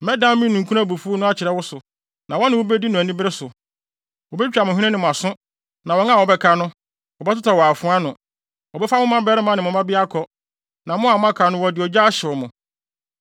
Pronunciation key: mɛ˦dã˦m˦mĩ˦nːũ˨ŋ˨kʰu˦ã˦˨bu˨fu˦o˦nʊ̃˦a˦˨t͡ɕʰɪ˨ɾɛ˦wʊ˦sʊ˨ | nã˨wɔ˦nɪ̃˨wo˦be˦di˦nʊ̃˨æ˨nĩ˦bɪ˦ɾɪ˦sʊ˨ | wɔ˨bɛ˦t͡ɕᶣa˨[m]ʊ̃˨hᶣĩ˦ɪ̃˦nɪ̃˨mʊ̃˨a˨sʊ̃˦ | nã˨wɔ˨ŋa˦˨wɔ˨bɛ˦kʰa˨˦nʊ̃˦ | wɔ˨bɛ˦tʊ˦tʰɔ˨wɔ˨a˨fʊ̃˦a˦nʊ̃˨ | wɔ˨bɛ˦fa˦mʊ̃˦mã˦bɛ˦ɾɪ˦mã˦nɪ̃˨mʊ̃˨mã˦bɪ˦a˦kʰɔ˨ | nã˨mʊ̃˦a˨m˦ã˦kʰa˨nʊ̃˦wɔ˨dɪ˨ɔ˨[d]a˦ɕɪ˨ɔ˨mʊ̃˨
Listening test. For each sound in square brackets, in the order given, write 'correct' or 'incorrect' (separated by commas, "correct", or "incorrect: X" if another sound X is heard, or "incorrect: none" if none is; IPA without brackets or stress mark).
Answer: correct, incorrect: d͡ʑ